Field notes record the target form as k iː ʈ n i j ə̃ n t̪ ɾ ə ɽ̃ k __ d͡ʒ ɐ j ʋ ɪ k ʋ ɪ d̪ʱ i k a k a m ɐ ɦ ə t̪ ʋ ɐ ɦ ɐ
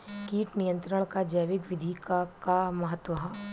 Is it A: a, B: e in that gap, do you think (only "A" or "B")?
A